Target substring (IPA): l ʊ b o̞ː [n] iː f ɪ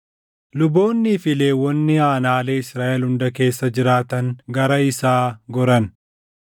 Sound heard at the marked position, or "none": nː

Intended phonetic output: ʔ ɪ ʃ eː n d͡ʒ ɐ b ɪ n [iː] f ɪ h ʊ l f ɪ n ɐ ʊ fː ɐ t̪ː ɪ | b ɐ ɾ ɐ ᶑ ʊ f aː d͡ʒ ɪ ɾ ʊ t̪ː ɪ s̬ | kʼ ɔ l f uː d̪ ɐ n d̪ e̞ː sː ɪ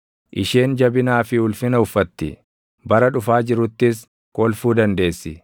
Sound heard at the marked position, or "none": aː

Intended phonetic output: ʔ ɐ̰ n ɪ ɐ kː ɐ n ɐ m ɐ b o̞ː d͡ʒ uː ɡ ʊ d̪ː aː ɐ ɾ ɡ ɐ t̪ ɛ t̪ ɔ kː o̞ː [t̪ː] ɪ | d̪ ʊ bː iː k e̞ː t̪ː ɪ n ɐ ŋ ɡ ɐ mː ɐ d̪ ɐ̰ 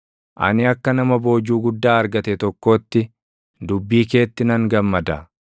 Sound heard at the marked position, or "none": t̪ː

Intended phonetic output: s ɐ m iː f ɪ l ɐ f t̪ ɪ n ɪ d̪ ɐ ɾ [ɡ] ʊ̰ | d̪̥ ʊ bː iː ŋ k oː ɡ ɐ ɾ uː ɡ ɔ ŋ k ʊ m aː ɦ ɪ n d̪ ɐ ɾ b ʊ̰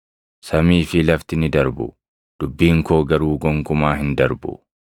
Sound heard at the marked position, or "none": b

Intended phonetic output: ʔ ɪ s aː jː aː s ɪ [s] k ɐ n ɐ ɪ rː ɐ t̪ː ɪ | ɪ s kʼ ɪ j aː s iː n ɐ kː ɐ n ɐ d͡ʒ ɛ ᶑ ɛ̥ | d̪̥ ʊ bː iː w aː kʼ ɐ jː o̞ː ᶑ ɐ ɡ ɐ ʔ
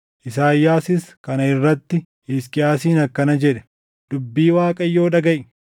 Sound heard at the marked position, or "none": s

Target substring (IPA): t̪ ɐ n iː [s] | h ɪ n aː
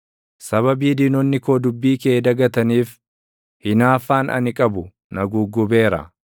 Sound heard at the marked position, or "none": f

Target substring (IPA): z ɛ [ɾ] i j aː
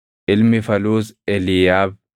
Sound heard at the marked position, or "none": l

